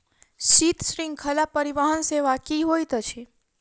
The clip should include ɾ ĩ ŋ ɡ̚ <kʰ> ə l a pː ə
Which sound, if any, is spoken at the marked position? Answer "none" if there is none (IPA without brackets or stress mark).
kʰ